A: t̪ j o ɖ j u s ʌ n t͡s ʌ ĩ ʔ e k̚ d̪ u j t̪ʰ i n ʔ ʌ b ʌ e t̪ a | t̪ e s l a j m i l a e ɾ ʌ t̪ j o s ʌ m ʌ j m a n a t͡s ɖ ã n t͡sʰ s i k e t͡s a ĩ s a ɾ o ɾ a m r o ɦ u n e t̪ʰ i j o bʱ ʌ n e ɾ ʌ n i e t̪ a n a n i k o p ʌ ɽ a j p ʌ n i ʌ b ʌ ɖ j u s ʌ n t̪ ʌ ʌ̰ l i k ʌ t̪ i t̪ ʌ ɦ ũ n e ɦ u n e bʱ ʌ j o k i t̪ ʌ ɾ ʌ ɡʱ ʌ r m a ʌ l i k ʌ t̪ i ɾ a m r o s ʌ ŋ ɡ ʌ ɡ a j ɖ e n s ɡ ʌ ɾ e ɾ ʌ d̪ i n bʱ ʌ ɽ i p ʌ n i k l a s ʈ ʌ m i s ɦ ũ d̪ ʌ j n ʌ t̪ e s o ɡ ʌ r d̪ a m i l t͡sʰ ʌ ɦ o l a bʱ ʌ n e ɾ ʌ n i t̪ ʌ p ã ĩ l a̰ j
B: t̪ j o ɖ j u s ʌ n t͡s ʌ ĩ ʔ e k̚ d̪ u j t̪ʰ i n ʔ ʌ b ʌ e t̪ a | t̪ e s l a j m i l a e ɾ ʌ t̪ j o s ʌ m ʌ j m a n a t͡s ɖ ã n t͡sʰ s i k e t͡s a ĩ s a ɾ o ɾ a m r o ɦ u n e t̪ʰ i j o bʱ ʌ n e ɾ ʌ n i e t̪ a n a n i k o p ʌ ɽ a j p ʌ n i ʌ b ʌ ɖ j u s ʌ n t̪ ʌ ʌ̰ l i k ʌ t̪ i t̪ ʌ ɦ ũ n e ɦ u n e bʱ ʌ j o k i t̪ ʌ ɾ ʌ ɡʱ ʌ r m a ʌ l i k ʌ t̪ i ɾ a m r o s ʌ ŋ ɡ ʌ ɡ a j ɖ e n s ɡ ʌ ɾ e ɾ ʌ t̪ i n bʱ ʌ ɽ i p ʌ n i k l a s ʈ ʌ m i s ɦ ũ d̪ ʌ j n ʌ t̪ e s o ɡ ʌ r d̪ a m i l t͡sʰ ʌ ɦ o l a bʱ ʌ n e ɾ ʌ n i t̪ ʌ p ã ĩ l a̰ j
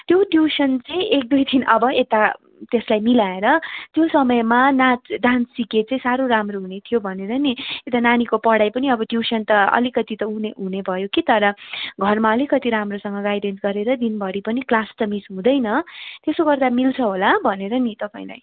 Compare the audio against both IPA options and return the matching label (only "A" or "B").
A